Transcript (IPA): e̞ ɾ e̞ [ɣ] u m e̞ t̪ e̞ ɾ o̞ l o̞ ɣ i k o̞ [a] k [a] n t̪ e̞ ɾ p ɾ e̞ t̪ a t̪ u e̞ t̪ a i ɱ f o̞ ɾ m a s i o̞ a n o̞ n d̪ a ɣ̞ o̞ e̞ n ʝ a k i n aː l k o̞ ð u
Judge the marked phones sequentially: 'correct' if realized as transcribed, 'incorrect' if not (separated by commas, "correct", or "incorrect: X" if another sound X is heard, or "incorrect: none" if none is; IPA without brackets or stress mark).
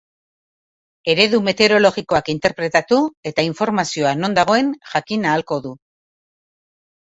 incorrect: ð, correct, incorrect: i